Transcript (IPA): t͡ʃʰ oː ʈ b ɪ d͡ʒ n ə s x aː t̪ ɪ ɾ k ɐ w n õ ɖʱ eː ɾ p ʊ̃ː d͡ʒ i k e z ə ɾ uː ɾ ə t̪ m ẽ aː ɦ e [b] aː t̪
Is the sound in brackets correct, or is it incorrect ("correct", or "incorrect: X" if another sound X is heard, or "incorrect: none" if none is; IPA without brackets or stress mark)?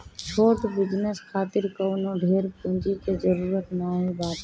correct